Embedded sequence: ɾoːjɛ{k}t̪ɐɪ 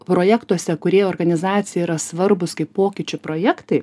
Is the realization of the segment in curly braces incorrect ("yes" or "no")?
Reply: no